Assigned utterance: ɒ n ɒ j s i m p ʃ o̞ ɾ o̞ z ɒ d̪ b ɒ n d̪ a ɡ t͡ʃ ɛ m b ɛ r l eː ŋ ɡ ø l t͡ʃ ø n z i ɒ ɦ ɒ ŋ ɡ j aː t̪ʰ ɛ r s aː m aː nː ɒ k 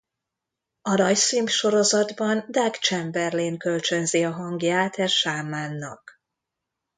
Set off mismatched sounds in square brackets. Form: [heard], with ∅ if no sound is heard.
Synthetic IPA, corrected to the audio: ɒ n ɒ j s i m p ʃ o̞ ɾ o̞ z ɒ d̪ b ɒ n d̪ a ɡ t͡ʃ ɛ m b ɛ r l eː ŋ [k] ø l t͡ʃ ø n z i ɒ ɦ ɒ ŋ ɡ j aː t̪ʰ ɛ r [ʃ] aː m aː nː ɒ k